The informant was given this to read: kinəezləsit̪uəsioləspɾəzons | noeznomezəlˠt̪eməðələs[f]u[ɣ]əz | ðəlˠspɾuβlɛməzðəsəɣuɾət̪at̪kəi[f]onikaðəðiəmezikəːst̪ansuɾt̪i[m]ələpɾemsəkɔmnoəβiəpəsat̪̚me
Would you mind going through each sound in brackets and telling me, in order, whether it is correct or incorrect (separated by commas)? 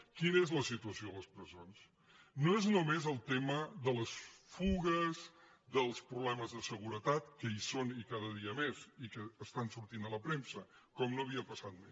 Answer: correct, correct, incorrect, incorrect